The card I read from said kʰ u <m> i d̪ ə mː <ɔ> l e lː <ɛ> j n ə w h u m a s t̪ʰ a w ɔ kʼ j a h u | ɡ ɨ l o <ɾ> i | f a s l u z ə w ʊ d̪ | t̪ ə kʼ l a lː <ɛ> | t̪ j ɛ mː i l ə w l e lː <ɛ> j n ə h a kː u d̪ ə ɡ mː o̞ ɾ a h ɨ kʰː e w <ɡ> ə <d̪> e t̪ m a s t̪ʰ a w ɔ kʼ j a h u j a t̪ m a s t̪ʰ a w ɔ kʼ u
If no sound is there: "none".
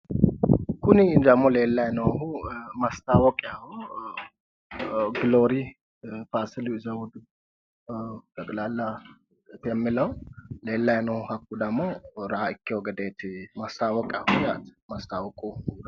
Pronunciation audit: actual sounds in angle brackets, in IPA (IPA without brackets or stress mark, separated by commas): n, o, a, ɾ, a, a, ɡ, d̪